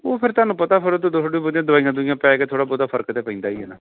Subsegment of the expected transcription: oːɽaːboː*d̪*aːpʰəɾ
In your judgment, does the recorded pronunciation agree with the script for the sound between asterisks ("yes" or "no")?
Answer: yes